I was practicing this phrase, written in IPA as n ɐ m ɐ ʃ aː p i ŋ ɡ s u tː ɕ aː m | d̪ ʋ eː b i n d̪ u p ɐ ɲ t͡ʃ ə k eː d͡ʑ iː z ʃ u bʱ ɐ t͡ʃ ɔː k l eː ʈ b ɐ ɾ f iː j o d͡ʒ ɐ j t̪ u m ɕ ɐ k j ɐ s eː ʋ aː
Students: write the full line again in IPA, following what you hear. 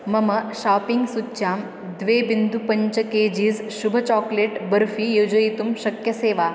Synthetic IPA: m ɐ m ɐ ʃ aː p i ŋ ɡ s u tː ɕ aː m | d̪ ʋ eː b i n d̪ u p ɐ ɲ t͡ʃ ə k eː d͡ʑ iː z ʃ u bʱ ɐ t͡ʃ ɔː k l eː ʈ b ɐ ɾ f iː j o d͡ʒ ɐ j t̪ u m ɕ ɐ k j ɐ s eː ʋ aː